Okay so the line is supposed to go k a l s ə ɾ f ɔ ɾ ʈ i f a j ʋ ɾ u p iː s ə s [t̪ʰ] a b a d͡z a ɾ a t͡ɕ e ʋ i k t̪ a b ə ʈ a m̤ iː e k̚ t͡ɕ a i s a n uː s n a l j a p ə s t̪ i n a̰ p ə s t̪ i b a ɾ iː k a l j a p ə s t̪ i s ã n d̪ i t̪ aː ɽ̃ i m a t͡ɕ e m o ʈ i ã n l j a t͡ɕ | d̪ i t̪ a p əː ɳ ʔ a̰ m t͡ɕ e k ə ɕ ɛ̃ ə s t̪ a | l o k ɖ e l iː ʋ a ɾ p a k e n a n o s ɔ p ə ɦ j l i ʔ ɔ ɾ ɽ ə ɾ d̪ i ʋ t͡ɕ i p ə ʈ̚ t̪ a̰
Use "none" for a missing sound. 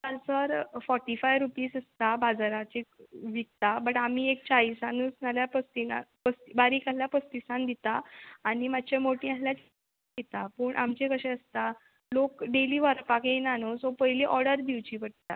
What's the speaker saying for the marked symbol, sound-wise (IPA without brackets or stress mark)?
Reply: t̪